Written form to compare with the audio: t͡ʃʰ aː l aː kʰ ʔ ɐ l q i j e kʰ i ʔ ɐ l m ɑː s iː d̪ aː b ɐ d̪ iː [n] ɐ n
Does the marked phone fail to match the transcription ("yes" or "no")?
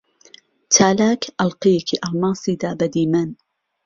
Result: yes